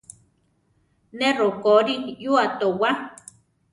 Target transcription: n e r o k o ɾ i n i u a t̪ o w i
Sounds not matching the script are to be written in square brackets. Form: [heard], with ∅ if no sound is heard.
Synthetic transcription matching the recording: n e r o k o ɾ i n [j] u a t̪ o w [a]